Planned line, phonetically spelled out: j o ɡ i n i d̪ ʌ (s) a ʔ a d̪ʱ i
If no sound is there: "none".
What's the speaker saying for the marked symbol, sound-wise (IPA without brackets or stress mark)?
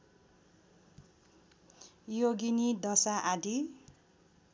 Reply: s